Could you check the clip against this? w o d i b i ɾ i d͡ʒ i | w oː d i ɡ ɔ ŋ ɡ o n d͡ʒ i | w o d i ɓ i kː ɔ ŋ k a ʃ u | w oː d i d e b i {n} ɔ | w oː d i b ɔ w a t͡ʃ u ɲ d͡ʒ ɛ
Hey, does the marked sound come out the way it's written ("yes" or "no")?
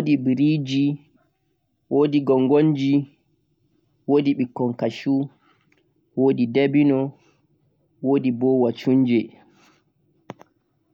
yes